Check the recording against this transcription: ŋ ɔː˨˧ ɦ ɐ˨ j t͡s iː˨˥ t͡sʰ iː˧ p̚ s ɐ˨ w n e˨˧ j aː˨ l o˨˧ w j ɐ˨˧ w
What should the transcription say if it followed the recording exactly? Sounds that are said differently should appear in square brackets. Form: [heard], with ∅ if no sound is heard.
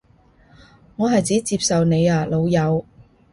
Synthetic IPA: ŋ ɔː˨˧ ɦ ɐ˨ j t͡s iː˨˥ [t͡s] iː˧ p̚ s ɐ˨ w n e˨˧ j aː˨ l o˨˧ w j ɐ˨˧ w